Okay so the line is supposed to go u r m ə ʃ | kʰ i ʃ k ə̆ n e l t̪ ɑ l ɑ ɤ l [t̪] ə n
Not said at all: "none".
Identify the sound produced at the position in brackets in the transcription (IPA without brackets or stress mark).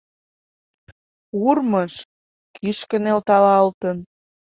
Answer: t̪